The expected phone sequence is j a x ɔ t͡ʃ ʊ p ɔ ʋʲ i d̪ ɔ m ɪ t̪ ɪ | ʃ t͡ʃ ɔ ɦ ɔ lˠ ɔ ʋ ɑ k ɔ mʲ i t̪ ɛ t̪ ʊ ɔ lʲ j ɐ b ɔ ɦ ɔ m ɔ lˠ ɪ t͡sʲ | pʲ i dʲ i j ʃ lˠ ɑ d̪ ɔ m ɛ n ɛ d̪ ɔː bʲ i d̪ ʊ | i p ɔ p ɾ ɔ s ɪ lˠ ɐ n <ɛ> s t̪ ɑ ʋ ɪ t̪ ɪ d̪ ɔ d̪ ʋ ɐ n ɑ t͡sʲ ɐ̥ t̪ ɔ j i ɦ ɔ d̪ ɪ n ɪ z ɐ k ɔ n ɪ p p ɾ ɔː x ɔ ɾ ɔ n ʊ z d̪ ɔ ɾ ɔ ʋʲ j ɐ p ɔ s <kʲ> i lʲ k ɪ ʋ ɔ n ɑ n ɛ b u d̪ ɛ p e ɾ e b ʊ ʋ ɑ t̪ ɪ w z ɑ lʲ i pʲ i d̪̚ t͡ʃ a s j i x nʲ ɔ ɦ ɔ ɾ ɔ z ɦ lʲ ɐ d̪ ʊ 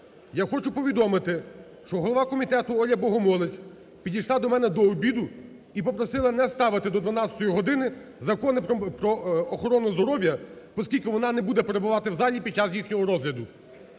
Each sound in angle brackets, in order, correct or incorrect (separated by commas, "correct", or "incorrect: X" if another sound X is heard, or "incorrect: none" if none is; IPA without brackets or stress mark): correct, correct